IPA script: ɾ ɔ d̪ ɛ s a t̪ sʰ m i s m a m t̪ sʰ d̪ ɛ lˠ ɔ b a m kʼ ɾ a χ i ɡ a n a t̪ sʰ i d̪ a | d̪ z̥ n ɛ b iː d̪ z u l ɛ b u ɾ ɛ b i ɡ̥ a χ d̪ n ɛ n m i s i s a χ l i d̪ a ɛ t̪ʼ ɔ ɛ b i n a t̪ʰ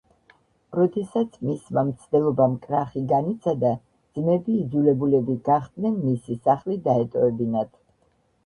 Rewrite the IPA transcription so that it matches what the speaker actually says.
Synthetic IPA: ɾ ɔ d̪ ɛ s a t̪ sʰ m i s m a m t̪ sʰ d̪ ɛ lˠ ɔ b a m kʼ ɾ a χ i ɡ a n i t̪ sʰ a d̪ a | d̪ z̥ m ɛ b iː d̪ z u l ɛ b u l ɛ b i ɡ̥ a χ d̪ n ɛ n m i s i s a χ l i d̪ a ɛ t̪ʼ ɔ ɛ b i n a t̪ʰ